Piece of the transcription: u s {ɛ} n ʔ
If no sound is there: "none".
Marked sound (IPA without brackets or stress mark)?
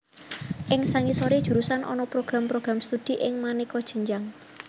a